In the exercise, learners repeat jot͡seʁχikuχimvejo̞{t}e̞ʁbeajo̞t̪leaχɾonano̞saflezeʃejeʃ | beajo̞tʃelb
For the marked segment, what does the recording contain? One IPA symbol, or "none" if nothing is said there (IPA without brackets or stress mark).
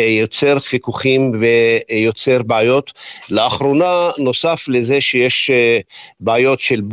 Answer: t͡s